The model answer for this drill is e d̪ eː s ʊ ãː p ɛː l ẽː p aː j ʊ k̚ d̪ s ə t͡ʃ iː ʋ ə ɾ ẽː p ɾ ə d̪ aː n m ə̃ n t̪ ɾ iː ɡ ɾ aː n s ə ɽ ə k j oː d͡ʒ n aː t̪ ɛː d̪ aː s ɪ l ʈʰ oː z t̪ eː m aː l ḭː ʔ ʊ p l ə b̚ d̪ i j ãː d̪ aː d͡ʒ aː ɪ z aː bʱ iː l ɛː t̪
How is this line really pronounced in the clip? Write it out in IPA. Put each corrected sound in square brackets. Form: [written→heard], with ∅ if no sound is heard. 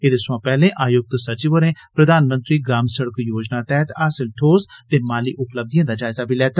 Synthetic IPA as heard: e d̪ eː s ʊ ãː p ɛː l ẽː [p→ʔ] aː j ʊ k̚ [d̪→t̪] s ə t͡ʃ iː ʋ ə ɾ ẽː p ɾ ə d̪ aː n m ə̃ n t̪ ɾ iː ɡ ɾ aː [n→m] s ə ɽ ə k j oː d͡ʒ n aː t̪ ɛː [d̪→t̪] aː s ɪ l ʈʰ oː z t̪ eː m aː l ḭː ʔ ʊ p l ə b̚ d̪ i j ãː d̪ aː d͡ʒ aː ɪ z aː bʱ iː l ɛː t̪